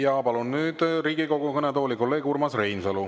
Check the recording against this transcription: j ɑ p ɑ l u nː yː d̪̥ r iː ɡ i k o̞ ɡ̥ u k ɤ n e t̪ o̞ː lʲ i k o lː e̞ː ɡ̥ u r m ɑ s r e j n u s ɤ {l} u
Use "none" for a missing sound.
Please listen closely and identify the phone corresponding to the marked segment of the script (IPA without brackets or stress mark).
l